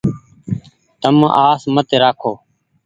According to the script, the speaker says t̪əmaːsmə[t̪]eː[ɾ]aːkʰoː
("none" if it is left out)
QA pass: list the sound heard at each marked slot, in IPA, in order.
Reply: t̪, ɾ

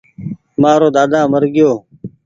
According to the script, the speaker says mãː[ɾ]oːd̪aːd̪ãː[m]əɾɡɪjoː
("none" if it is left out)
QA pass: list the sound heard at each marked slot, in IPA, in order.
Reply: ɾ, m

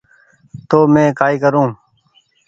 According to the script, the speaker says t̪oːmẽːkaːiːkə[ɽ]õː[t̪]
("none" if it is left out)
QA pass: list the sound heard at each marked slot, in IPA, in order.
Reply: ɾ, none

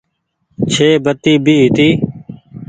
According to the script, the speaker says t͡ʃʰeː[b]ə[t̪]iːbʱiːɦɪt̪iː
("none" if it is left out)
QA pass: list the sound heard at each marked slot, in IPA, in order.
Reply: b, t̪

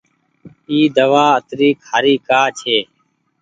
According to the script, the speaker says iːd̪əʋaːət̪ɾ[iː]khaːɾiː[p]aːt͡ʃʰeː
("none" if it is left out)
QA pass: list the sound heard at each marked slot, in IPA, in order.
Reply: iː, k

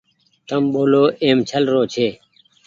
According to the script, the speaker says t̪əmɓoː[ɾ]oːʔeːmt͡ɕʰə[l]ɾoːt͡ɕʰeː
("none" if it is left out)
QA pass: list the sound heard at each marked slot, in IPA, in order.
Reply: l, l

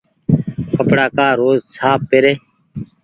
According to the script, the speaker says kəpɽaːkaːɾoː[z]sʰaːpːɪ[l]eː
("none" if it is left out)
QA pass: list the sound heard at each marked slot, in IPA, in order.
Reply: z, ɾ

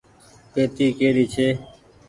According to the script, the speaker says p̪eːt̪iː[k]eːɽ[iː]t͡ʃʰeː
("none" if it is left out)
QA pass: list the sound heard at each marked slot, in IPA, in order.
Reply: k, iː

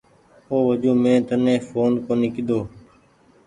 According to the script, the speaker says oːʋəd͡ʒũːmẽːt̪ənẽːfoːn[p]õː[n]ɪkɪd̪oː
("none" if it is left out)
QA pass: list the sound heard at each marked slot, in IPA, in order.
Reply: k, n

